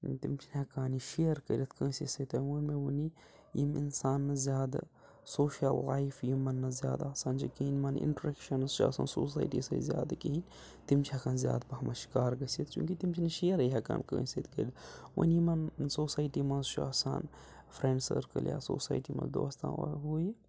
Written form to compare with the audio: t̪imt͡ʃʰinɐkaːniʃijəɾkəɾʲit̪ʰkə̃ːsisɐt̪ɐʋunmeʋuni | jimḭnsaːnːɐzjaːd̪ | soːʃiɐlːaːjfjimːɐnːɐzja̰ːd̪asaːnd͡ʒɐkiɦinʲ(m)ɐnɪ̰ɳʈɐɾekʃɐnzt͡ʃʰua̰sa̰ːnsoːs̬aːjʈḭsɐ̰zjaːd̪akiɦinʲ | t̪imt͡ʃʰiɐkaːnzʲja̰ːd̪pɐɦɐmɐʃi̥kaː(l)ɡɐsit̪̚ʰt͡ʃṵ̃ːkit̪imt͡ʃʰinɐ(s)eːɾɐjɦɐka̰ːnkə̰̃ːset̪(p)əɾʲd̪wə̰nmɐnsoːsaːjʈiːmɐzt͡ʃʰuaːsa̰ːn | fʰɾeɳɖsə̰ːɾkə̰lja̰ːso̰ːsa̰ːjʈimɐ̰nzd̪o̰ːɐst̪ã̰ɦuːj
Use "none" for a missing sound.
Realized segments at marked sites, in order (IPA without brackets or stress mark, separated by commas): m, ɾ, ʃ, k